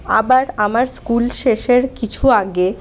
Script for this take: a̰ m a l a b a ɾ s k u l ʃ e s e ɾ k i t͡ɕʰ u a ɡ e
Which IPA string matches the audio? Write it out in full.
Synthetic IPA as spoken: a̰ b a ɾ a m a ɾ s k u l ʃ e ʃ e ɾ k i t͡ɕʰ u a ɡ e